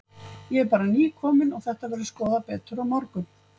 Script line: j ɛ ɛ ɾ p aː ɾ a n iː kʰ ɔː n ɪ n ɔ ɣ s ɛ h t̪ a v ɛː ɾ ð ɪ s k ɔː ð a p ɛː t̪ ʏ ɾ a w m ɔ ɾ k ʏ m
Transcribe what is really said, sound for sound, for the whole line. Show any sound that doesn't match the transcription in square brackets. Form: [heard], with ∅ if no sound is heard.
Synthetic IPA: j ɛ ɛ ɾ p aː ɾ a n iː kʰ ɔː [m] ɪ n ɔ ɣ [θ] ɛ h t̪ a v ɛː ɾ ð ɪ s k ɔː ð a p ɛː t̪ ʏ ɾ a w m ɔ ɾ k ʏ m

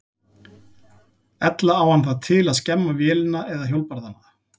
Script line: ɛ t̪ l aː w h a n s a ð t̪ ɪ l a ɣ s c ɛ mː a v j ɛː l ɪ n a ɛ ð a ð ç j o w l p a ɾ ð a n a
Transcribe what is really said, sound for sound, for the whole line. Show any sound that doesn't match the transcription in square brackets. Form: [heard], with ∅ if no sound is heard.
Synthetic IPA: ɛ t̪ l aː w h a n [θ] a ð [t̪ʰ] ɪ l a [ð] s c ɛ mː a v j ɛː l ɪ n a ɛ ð a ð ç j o w l p a ɾ ð a n a

